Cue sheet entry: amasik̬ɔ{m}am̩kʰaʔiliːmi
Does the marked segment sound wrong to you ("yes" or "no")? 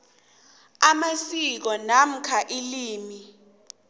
yes